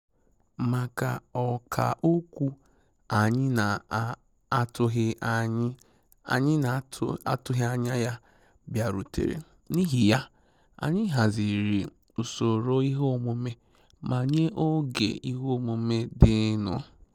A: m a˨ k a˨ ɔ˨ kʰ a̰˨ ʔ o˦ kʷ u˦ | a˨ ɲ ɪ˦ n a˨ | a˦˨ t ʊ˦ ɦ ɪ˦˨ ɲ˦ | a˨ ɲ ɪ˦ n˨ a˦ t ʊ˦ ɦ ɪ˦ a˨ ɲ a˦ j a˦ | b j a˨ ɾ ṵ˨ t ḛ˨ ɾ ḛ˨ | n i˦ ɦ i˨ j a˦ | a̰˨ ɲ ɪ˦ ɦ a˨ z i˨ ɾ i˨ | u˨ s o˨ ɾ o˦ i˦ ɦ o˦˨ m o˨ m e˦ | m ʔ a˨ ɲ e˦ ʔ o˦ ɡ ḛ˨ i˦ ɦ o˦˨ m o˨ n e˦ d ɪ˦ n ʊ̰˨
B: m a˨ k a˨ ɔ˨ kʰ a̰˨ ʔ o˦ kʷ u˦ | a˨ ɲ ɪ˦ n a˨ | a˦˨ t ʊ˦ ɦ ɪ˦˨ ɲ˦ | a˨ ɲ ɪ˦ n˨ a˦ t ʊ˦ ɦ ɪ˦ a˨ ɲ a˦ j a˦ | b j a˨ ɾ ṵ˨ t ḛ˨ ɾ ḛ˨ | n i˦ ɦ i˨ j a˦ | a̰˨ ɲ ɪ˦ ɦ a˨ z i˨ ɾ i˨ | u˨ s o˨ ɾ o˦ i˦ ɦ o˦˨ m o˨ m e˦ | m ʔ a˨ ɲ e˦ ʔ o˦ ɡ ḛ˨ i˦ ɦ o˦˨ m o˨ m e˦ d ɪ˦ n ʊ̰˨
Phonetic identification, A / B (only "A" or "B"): B